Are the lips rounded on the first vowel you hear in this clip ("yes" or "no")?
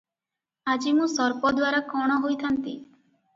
no